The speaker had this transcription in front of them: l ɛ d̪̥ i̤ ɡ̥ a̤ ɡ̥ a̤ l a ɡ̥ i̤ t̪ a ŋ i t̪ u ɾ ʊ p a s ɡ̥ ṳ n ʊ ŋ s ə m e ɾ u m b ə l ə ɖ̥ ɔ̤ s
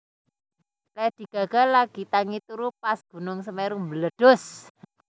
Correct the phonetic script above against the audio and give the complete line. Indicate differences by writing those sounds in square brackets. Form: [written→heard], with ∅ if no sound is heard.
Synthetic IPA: l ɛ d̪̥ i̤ ɡ̥ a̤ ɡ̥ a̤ l a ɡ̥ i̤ t̪ a ŋ i t̪ u ɾ [ʊ→u] p a s ɡ̥ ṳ n ʊ ŋ s ə m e ɾ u m b ə l ə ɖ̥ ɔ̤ s